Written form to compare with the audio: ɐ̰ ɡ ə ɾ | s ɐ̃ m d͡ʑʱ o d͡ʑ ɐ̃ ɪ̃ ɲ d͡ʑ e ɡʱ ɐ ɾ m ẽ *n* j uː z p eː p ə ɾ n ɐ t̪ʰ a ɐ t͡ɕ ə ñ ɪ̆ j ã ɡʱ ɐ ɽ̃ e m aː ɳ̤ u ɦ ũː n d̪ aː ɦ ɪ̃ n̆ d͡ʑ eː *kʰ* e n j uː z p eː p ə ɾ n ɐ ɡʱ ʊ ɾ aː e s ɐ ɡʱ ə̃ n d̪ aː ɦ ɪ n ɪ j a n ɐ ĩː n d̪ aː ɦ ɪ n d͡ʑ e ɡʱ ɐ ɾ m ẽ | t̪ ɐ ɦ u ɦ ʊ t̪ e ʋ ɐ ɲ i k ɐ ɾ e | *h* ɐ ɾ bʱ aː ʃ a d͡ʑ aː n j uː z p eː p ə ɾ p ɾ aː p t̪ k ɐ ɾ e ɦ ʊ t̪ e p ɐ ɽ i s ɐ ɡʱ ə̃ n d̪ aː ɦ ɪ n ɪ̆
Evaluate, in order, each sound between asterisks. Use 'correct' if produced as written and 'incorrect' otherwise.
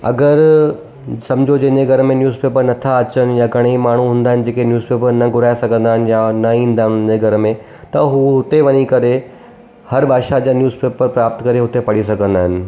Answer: correct, incorrect, correct

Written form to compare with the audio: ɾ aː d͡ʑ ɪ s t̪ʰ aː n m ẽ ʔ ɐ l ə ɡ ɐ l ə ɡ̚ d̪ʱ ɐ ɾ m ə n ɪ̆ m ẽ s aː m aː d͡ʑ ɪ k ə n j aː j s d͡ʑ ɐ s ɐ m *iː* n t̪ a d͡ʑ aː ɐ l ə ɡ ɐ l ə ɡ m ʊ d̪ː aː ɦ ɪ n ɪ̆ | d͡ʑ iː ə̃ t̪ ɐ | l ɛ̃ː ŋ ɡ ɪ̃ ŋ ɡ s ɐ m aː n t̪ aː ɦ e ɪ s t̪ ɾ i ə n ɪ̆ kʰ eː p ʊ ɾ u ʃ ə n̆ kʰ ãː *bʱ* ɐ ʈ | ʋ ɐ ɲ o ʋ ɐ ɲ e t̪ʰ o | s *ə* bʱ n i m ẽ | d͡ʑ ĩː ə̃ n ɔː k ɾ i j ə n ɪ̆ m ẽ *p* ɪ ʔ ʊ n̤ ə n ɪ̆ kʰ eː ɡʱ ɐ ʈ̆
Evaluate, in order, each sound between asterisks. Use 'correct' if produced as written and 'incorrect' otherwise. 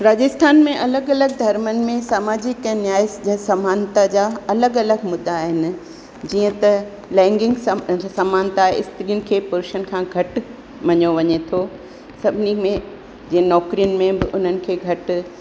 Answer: incorrect, incorrect, incorrect, incorrect

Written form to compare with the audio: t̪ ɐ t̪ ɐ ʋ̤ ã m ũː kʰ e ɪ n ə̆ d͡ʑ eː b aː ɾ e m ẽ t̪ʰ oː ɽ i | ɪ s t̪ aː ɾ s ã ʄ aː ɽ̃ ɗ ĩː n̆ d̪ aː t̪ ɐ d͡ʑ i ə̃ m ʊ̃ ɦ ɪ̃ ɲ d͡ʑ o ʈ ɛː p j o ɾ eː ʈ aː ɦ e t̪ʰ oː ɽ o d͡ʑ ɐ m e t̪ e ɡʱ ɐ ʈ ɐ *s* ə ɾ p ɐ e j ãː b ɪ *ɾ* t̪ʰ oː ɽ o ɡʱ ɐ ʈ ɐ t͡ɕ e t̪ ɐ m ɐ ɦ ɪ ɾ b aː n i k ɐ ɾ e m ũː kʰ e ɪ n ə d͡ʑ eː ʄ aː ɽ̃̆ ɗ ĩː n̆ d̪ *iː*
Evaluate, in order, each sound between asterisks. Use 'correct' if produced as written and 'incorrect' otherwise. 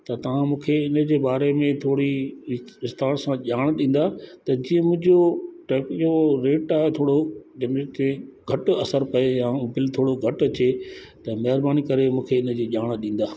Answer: correct, incorrect, incorrect

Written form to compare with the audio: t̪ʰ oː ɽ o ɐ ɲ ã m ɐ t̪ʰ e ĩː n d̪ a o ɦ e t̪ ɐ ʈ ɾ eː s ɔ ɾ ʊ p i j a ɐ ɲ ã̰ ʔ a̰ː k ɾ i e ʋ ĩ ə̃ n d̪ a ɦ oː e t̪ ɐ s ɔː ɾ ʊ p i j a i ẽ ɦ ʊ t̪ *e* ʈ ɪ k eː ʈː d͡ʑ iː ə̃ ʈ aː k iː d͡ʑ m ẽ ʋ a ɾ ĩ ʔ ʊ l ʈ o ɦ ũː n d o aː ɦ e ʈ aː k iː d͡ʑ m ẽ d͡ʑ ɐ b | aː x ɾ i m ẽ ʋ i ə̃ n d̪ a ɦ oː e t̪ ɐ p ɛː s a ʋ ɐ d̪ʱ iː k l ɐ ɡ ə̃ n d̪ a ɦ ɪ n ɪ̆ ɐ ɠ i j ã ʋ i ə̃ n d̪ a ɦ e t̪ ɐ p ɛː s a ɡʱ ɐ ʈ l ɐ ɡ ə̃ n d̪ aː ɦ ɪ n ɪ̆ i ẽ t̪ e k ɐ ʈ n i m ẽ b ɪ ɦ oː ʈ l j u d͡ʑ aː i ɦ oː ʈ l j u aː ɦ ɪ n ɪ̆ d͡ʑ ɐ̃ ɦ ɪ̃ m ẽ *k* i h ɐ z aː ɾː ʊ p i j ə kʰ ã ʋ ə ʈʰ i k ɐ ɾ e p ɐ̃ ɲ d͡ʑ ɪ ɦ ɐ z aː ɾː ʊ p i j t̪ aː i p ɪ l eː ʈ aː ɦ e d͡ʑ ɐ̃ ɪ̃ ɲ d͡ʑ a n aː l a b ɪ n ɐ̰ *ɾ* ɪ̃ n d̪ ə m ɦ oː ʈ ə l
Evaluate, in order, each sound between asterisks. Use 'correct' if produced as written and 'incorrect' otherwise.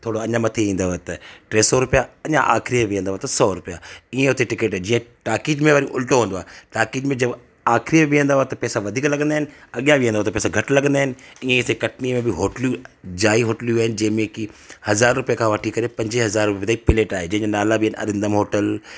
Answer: correct, correct, correct

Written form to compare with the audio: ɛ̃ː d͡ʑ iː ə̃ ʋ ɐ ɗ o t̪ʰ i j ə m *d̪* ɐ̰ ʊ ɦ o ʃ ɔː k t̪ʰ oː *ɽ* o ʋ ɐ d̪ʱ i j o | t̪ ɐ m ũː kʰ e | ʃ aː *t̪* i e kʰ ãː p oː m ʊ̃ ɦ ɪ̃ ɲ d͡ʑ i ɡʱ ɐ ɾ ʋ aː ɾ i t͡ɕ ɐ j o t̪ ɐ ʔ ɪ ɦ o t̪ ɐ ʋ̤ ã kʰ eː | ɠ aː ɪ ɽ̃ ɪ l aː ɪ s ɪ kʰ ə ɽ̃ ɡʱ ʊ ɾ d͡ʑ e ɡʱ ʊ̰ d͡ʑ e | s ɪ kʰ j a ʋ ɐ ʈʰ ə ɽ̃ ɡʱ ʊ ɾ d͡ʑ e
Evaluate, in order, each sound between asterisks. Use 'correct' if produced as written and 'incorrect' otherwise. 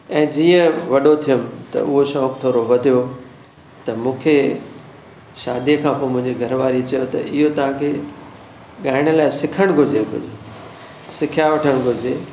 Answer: incorrect, incorrect, incorrect

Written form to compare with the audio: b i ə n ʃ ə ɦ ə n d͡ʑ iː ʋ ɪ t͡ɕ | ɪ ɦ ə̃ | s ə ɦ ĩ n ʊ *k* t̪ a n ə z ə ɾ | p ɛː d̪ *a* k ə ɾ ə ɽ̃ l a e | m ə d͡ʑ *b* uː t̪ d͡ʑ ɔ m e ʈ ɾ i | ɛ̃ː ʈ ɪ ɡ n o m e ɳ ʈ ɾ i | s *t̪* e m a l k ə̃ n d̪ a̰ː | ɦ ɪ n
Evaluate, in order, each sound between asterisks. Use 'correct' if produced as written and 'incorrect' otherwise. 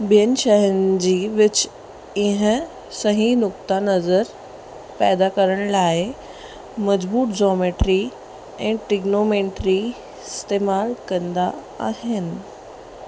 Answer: correct, correct, correct, correct

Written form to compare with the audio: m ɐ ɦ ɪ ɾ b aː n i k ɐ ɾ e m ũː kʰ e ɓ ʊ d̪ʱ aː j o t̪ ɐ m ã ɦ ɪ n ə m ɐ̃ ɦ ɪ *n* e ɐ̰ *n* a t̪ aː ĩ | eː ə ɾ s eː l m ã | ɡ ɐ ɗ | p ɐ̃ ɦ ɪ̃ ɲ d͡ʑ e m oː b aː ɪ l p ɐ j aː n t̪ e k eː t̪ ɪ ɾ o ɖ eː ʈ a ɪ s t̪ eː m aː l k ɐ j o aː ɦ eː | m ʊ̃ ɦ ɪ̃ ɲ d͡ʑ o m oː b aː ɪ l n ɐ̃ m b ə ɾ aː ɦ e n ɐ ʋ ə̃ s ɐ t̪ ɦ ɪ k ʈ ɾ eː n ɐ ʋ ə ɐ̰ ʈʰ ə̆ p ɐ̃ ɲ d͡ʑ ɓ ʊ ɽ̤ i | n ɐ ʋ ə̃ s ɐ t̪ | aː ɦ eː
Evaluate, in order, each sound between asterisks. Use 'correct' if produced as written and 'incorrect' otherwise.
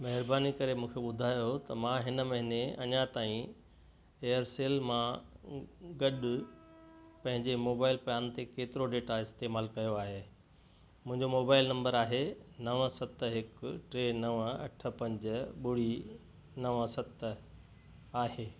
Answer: correct, incorrect

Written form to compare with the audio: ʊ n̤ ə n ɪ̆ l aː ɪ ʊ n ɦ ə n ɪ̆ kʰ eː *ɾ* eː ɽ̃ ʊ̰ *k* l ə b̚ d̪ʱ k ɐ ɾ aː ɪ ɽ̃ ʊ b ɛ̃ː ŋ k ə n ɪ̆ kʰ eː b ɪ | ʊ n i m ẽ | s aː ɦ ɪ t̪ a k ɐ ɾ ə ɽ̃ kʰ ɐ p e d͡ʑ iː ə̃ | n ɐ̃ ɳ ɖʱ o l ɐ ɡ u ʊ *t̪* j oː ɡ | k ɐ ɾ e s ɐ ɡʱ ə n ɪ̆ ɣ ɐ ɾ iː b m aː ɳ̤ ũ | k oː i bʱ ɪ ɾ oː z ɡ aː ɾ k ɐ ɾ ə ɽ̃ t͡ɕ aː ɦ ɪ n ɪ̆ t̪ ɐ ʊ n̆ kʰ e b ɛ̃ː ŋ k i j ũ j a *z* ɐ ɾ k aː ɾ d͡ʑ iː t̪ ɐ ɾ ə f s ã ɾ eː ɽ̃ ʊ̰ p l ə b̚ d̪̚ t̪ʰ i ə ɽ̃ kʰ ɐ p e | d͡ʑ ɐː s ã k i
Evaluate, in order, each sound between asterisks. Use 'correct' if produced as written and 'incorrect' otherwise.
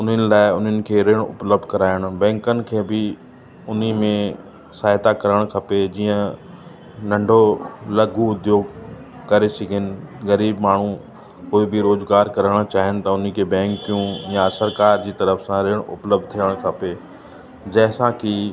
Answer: correct, incorrect, incorrect, incorrect

